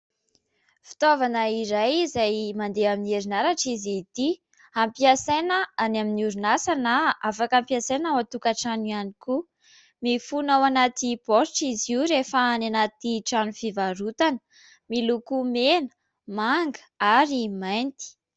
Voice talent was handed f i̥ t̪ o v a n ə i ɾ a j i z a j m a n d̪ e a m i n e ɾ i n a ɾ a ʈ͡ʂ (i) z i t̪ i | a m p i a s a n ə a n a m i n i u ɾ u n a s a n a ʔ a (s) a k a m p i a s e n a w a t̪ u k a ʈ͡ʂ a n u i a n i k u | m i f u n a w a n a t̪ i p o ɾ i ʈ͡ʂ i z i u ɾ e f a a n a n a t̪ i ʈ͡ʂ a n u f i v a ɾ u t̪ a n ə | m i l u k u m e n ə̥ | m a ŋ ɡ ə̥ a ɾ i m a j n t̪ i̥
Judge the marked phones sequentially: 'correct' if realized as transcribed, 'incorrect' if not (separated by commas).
correct, incorrect